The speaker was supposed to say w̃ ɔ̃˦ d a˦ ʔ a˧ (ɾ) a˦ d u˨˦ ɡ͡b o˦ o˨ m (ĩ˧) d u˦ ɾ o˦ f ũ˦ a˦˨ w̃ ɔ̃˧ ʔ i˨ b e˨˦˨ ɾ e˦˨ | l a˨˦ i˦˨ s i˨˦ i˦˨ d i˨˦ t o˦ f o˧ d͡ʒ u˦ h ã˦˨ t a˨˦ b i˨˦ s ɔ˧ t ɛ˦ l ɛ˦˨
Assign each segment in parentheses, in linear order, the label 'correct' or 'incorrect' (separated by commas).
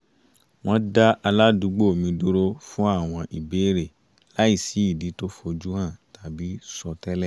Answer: incorrect, correct